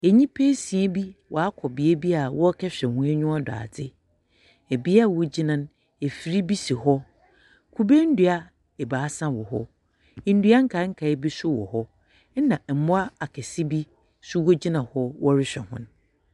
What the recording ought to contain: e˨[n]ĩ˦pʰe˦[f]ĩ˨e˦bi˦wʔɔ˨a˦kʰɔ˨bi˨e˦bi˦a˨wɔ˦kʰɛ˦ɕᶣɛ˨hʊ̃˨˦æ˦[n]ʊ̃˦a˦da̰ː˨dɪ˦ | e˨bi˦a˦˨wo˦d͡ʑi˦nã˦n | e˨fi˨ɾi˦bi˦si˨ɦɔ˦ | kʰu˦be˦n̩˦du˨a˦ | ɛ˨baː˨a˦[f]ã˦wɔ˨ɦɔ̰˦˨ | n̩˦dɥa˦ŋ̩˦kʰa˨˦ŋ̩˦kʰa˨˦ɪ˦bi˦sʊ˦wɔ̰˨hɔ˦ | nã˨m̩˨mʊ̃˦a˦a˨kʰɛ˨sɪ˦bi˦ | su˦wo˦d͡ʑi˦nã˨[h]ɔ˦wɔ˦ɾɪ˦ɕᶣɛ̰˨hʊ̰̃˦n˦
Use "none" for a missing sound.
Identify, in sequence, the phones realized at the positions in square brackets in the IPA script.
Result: ɲ, s, ɲ, s, h

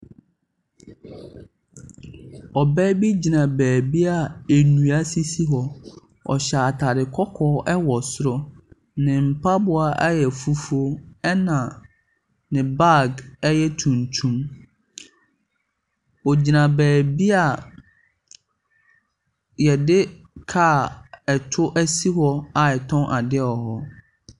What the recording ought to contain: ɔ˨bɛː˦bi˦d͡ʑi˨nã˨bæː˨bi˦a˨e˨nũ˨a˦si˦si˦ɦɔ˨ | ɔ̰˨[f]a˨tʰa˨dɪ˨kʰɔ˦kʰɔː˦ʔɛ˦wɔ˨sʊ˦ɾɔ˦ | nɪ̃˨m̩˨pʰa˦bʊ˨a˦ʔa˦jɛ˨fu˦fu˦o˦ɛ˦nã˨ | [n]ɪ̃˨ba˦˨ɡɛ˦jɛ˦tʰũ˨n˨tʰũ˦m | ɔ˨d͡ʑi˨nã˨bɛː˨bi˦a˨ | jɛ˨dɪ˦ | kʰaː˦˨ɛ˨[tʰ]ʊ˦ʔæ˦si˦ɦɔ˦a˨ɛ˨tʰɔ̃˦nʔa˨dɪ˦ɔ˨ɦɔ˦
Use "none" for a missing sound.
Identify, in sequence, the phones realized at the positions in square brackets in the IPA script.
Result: ɕ, n, tʰ

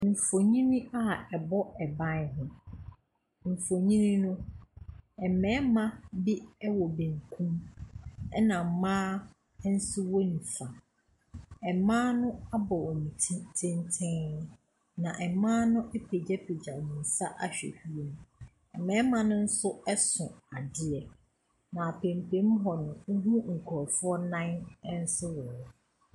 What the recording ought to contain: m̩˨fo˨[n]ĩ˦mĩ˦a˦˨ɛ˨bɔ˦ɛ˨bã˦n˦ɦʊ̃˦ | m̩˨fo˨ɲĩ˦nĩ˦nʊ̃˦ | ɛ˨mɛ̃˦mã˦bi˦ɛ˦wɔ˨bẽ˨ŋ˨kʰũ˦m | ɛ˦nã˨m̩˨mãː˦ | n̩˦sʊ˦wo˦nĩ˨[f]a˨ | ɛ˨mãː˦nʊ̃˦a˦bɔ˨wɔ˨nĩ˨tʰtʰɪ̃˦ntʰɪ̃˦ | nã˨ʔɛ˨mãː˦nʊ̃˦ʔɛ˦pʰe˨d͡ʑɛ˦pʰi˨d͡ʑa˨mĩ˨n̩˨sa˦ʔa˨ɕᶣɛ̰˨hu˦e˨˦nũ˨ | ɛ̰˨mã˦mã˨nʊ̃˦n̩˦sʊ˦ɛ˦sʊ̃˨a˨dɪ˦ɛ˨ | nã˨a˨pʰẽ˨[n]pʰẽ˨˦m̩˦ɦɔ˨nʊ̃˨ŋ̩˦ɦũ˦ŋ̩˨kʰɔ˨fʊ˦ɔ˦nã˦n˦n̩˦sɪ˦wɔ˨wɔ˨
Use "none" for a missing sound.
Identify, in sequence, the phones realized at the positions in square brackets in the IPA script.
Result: ɲ, f, m

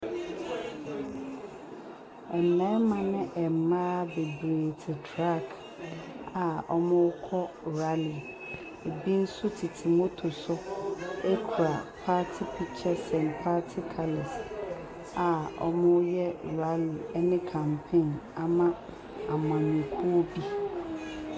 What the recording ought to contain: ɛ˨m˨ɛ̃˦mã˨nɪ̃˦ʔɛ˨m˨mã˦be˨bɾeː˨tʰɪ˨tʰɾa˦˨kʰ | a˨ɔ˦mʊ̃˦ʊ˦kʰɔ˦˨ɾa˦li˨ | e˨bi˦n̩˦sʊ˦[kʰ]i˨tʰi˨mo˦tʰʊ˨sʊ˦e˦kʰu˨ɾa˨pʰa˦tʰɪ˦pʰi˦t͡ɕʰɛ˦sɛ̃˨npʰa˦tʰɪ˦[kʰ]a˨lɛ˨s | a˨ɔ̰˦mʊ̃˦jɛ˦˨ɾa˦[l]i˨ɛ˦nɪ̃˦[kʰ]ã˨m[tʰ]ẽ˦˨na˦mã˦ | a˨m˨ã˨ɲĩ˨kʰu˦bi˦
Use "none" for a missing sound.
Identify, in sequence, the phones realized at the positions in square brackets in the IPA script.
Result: tʰ, kʰ, l, kʰ, pʰ

